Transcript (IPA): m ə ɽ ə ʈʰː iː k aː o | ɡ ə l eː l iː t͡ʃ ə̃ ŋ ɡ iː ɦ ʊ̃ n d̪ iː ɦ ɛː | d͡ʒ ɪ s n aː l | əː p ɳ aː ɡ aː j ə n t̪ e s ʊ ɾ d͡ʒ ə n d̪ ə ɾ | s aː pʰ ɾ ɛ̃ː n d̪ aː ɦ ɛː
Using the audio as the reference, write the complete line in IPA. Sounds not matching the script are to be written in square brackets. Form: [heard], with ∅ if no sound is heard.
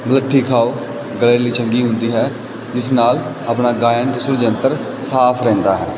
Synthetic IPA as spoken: m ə [l] ə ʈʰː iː [kʰ] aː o | ɡ ə l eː l iː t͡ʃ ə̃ ŋ ɡ iː ɦ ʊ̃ n d̪ iː ɦ ɛː | d͡ʒ ɪ s n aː l | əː p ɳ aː ɡ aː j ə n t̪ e s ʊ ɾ d͡ʒ ə n [t̪] ə ɾ | s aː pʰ ɾ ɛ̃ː n d̪ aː ɦ ɛː

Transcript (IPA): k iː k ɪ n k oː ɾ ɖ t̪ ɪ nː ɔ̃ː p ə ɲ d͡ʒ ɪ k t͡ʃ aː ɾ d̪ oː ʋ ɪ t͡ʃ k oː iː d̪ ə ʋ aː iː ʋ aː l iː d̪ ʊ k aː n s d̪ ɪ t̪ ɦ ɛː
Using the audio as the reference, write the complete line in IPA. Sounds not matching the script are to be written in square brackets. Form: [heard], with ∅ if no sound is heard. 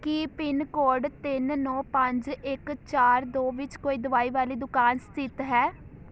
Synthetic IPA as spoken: k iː [p] ɪ n k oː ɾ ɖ t̪ ɪ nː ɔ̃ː p ə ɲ d͡ʒ ɪ k t͡ʃ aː ɾ d̪ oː ʋ ɪ t͡ʃ k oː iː d̪ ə ʋ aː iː ʋ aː l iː d̪ ʊ k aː n s [t̪] ɪ t̪ ɦ ɛː

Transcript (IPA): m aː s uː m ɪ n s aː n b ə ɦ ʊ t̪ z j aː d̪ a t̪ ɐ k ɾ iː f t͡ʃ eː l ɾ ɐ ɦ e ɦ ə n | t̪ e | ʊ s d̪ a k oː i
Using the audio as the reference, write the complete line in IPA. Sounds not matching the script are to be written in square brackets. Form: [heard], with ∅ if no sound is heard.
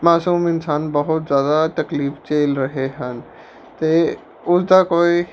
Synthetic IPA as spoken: m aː s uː m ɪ n s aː n b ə ɦ ʊ t̪ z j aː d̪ a t̪ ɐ k [l] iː f t͡ʃ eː l ɾ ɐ ɦ e ɦ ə n | t̪ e | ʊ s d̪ a k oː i

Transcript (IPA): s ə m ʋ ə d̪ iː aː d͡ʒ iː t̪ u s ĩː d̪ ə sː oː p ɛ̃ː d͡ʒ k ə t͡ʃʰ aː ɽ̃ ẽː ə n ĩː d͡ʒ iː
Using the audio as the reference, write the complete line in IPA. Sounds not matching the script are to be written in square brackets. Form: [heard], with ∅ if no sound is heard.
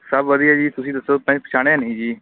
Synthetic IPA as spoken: s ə [b] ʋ ə d̪ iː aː d͡ʒ iː t̪ [ʊ] s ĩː d̪ ə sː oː p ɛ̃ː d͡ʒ [p] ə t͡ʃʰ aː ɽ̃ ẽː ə n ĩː d͡ʒ iː

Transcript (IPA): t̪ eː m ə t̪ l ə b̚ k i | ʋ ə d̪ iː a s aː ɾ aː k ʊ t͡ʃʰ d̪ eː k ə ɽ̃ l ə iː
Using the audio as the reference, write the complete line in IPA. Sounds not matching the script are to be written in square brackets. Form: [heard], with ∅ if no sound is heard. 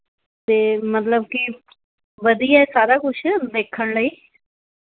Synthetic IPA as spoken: t̪ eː m ə t̪ l ə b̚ k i | ʋ ə d̪ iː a s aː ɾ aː k ʊ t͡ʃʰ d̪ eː [kʰ] ə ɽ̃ l ə iː

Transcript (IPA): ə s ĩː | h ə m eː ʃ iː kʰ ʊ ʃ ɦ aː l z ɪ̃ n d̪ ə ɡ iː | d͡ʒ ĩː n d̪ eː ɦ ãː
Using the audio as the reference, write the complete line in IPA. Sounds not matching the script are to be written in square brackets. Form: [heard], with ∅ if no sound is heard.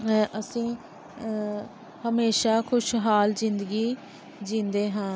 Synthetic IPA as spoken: ə s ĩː | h ə m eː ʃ [aː] kʰ ʊ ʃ ɦ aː l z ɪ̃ n d̪ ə ɡ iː | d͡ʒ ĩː n d̪ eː ɦ ãː

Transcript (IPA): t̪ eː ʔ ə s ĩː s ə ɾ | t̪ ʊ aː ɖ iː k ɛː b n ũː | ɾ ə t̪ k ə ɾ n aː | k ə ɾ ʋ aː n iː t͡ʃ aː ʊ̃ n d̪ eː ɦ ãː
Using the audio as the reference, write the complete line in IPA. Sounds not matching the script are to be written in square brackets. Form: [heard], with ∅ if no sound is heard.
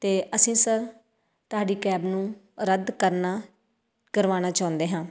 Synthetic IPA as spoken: t̪ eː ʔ ə s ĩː s ə ɾ | t̪ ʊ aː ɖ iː k ɛː b n ũː | ɾ ə [d̪] k ə ɾ n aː | k ə ɾ ʋ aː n [aː] t͡ʃ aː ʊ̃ n d̪ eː ɦ ãː

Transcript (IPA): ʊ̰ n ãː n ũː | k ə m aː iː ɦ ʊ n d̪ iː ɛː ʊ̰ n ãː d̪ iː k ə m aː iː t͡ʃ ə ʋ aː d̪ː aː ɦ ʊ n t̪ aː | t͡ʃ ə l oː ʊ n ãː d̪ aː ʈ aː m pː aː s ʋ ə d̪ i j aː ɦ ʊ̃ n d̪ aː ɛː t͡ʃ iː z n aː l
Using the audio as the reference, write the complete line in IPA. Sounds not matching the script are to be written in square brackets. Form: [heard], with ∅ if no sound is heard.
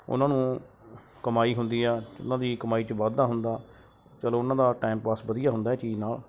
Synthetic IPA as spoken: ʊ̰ n ãː n ũː | k ə m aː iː ɦ ʊ n d̪ iː ɛː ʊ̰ n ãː d̪ iː k ə m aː iː t͡ʃ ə ʋ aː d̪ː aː ɦ ʊ n [d̪] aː | t͡ʃ ə l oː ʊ n ãː d̪ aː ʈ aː m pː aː s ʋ ə d̪ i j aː ɦ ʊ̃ n d̪ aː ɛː t͡ʃ iː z n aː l

